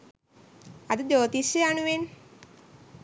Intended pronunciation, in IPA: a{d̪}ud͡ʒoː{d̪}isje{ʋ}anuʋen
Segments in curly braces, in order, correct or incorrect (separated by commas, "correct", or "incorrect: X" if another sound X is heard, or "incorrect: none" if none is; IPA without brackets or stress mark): correct, incorrect: t̪, incorrect: none